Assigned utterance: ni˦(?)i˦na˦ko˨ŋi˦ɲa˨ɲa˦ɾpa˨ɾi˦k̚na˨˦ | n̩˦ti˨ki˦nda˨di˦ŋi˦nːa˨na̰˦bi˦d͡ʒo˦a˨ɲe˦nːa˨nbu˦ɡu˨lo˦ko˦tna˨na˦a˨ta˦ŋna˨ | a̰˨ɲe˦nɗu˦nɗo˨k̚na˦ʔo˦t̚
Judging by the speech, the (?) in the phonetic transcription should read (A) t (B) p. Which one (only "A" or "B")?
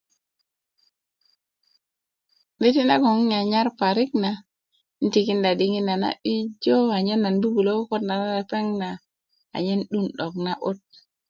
A